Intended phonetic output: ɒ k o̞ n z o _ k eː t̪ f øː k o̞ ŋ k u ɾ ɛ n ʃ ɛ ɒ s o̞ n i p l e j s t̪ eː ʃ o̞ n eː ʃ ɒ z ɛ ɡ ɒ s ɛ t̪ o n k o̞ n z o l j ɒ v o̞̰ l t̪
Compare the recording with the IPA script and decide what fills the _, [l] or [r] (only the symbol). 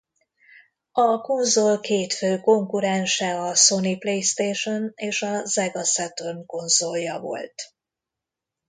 l